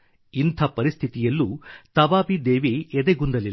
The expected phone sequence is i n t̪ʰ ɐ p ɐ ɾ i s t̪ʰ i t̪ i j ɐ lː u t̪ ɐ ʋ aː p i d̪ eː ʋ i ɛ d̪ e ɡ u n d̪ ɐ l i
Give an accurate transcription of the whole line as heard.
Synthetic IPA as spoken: i n t̪ʰ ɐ p ɐ ɾ i s t̪ʰ i t̪ i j ɐ lː u t̪ ɐ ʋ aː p i d̪ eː ʋ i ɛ d̪ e ɡ u n d̪ ɐ l i